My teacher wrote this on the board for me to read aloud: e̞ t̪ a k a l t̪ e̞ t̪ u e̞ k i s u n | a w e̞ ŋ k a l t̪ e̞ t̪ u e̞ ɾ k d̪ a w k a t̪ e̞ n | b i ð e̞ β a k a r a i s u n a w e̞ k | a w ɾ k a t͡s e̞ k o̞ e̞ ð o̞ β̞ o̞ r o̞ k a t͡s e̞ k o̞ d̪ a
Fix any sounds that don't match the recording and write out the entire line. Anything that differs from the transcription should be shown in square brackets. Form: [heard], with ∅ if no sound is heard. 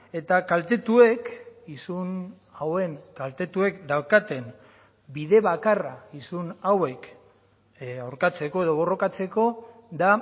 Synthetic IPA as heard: e̞ t̪ a k a l t̪ e̞ t̪ u e̞ k i s u n | a w e̞ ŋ k a l t̪ e̞ t̪ u e̞ [∅] k d̪ a w k a t̪ e̞ n | b i ð e̞ β a k a r a i s u n a w e̞ k | a w ɾ k a t͡s e̞ k o̞ e̞ ð o̞ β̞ o̞ r o̞ k a t͡s e̞ k o̞ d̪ a

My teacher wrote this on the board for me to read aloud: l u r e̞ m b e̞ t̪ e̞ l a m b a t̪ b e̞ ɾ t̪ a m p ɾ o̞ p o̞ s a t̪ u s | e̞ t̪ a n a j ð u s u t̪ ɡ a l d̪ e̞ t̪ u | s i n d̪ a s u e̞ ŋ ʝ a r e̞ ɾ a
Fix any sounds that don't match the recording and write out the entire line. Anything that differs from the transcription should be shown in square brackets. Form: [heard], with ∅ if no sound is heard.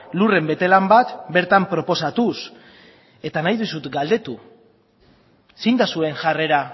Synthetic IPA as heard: l u r e̞ m b e̞ t̪ e̞ l a m b a t̪ b e̞ ɾ t̪ a m p ɾ o̞ p o̞ s a t̪ u s | e̞ t̪ a n a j ð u s u t̪ ɡ a l d̪ e̞ t̪ u | s i n d̪ a s u e̞ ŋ ʝ a r e̞ ɾ a

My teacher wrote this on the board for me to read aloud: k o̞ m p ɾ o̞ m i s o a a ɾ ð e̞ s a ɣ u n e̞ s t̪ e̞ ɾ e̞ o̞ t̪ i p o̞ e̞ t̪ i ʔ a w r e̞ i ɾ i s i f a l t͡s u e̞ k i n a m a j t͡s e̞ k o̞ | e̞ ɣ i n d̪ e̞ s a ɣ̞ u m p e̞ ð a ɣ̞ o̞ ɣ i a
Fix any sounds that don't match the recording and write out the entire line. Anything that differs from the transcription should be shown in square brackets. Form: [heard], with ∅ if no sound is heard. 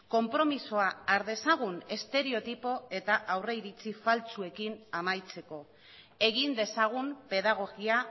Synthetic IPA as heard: k o̞ m p ɾ o̞ m i s o a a ɾ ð e̞ s a ɣ u n e̞ s t̪ e̞ ɾ e̞ o̞ t̪ i p o̞ e̞ t̪ [a] ʔ a w r e̞ i ɾ i [t͡s] i f a l t͡s u e̞ k i n a m a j t͡s e̞ k o̞ | e̞ ɣ i n d̪ e̞ s a ɣ̞ u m p e̞ ð a ɣ̞ o̞ ɣ i a

